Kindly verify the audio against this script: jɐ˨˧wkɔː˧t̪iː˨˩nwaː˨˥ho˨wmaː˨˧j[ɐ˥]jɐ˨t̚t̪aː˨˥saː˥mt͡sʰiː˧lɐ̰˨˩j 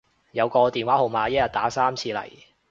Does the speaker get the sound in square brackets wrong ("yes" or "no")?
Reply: no